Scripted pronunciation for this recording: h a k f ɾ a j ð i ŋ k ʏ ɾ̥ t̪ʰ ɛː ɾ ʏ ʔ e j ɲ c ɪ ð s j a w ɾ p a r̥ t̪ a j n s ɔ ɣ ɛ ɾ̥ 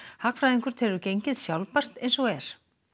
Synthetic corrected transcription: h a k f ɾ a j ð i ŋ k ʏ ɾ̥ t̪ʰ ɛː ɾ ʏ c e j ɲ c ɪ ð s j a w l p a r̥ t̪ e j n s ɔ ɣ ɛ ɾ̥